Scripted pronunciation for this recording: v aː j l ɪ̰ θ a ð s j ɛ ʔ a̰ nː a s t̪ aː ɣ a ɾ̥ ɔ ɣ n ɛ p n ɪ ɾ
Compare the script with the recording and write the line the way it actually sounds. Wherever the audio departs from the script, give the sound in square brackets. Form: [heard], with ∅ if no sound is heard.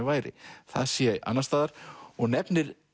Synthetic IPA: v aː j [ɾ] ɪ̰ θ a ð s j ɛ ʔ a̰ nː a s t̪ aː [ð] a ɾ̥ ɔ ɣ n ɛ p n ɪ ɾ

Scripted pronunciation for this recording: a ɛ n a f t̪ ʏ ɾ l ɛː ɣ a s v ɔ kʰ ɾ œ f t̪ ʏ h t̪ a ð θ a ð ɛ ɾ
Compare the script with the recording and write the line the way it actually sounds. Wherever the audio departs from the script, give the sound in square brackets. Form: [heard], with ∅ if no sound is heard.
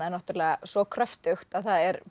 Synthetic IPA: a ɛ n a [h] t̪ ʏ ɾ l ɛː ɣ a s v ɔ kʰ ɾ œ f t̪ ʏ [x] t̪ a ð θ a ð ɛ ɾ

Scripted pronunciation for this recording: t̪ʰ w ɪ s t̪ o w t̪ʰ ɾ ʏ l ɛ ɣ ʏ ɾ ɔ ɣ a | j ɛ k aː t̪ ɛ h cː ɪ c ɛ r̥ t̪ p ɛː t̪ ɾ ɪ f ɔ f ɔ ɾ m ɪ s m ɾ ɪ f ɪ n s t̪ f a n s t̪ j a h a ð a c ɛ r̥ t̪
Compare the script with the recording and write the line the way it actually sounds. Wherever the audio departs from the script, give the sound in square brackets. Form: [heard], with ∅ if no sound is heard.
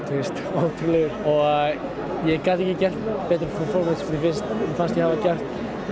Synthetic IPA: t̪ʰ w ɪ s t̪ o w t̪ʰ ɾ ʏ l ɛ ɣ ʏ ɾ ɔ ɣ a | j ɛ k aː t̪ ɛ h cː ɪ c ɛ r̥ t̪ p ɛː t̪ ɾ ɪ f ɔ f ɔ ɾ m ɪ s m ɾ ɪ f ɪ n s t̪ f a n s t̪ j [ɛ] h a [v] a c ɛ r̥ t̪

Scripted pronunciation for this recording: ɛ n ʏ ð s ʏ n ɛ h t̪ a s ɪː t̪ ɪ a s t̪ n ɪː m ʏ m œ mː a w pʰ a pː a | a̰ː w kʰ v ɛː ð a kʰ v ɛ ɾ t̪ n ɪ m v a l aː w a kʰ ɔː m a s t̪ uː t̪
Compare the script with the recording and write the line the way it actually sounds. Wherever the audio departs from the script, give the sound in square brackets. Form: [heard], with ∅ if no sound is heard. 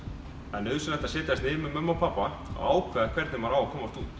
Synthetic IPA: ɛ n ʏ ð s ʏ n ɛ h t̪ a s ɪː t̪ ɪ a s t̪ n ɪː m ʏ m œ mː a w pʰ a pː a | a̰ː w kʰ v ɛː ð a kʰ v ɛ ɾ t̪ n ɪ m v a [ɾ] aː w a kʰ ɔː m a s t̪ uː t̪

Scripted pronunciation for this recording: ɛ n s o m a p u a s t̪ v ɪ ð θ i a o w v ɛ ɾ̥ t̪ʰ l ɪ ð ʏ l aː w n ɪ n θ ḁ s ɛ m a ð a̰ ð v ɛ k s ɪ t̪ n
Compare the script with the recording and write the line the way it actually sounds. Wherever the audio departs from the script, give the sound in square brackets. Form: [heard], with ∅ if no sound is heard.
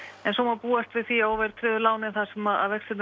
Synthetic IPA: ɛ n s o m a p [uː] a s t̪ v ɪ ð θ i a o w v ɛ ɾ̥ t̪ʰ [ɾ] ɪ ð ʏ l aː w n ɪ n θ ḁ s ɛ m a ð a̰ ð v ɛ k s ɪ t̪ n

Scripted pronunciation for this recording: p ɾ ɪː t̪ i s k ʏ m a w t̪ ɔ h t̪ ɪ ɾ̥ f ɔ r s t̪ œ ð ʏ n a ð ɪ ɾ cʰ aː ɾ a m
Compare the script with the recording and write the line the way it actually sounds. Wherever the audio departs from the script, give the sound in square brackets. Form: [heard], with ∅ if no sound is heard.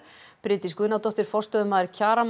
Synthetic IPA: p ɾ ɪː t̪ i s k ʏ [n] a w t̪ ɔ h t̪ ɪ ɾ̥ f ɔ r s t̪ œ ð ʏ [m] a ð ɪ ɾ cʰ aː ɾ a m

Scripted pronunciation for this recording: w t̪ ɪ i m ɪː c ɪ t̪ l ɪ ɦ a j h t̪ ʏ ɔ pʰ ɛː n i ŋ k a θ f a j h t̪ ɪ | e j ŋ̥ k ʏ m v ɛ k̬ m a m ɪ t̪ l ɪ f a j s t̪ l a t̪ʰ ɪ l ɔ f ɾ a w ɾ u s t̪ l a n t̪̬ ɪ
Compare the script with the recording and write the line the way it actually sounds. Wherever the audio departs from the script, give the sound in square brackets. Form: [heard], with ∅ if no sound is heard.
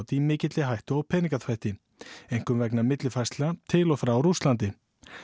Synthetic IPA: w t̪ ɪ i m ɪː c ɪ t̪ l ɪ ɦ a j h t̪ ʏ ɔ pʰ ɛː n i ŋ k a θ f a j h t̪ ɪ | e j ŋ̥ k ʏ m v ɛ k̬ [n] a m ɪ t̪ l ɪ f a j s t̪ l a t̪ʰ ɪ l ɔ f ɾ a w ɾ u s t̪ l a n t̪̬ ɪ

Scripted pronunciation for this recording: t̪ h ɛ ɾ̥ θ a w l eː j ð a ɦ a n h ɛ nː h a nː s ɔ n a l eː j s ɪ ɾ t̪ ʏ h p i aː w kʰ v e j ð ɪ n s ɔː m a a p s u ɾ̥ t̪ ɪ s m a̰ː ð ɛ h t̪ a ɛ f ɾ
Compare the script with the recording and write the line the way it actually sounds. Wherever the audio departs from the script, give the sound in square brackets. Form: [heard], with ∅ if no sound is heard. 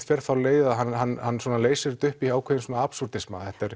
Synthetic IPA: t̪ [f] ɛ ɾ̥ θ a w l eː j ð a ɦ a n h [a] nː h a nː s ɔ n a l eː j s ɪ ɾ t̪ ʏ h p i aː w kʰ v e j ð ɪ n s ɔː [n] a a p s u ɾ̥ t̪ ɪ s m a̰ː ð ɛ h t̪ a ɛ [∅] ɾ

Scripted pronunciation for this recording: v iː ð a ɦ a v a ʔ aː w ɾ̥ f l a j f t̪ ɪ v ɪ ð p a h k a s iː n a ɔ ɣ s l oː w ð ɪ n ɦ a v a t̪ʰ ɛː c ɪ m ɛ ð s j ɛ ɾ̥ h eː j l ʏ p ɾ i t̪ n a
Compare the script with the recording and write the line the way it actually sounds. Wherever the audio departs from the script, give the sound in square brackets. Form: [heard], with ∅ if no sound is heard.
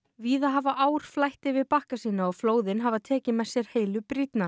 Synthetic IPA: v iː ð a ɦ a v a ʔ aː w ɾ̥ f l a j [h] t̪ ɪ v ɪ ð p a h k a s iː n a ɔ ɣ [f] l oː w ð ɪ n ɦ a v a t̪ʰ ɛː c ɪ m ɛ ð s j ɛ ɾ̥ h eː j l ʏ p ɾ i t̪ n a

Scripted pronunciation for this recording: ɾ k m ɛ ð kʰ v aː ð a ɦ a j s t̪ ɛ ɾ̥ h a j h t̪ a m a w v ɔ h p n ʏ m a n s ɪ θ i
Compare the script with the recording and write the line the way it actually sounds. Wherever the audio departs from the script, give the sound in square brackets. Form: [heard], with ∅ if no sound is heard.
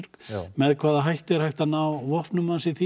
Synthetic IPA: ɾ k m ɛ ð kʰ v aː ð a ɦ a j [h] t̪ ɛ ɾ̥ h a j h t̪ a [n] a w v ɔ h p n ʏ m a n s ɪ θ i

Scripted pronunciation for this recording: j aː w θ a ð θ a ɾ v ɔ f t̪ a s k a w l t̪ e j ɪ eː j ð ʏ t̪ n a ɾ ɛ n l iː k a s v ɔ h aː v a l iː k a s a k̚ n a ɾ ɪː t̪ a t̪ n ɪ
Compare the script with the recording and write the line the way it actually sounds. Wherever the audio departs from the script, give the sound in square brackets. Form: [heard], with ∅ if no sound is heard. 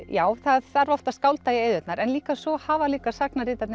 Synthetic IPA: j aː w θ a ð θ a ɾ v ɔ f t̪ a s k a w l t̪ [a] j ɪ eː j ð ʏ t̪ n a ɾ ɛ n l iː k a s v ɔ h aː v a l iː k a s a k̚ n a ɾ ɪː t̪ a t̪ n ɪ

